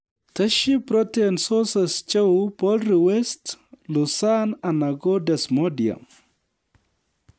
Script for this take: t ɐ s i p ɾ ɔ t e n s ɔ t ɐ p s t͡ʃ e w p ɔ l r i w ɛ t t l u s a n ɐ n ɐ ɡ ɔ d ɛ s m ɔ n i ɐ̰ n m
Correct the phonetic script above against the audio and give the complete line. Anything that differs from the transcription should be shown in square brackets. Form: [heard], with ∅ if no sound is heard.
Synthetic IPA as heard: t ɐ [ʃ] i p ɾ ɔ t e n s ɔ [s] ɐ [∅] s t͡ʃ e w p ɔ l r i w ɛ [s] t l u s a n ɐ n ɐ ɡ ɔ d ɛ s m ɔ [d] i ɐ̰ [∅] m